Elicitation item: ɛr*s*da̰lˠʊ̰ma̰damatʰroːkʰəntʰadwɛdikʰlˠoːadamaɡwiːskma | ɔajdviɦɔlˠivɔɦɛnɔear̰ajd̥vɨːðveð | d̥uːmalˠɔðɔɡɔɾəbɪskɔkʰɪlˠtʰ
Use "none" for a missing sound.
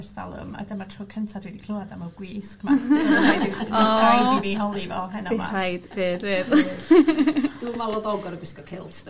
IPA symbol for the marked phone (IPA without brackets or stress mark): s